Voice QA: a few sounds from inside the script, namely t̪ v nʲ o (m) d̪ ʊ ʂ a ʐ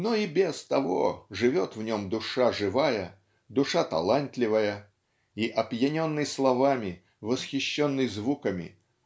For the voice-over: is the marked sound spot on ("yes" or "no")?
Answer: yes